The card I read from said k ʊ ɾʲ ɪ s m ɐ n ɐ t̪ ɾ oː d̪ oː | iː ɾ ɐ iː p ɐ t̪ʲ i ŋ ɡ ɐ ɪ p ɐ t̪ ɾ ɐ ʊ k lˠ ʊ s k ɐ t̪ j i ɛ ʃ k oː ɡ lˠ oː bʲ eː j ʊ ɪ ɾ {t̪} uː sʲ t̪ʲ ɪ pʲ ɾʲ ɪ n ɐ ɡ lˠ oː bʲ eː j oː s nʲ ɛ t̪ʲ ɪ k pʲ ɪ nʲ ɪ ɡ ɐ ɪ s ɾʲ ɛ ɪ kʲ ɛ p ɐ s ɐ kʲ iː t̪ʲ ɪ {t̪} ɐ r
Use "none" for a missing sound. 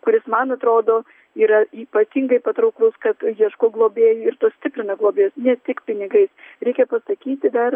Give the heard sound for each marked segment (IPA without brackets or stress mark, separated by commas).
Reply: t̪, d̪